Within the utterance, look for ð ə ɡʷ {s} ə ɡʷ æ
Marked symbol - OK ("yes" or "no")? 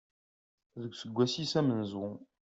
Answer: yes